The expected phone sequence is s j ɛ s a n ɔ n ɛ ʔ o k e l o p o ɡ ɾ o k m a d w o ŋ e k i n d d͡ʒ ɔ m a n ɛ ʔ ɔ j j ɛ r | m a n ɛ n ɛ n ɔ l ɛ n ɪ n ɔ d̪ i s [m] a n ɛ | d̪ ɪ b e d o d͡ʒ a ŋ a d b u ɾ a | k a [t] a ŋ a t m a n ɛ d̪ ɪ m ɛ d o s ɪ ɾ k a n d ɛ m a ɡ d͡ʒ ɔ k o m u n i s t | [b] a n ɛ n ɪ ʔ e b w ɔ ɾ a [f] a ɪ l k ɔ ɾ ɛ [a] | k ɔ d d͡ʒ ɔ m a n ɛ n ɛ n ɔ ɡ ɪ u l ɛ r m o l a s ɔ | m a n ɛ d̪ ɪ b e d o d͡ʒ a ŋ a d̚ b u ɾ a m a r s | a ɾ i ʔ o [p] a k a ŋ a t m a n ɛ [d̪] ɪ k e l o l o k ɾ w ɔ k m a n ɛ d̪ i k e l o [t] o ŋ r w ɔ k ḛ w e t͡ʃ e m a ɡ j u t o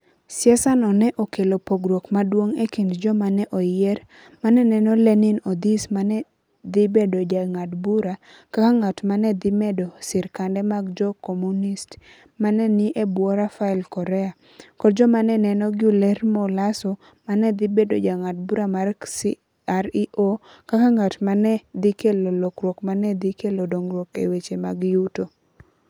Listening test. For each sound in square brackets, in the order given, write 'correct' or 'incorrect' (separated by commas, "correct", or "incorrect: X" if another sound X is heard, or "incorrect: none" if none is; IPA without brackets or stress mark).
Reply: correct, incorrect: k, incorrect: m, correct, correct, incorrect: k, correct, incorrect: d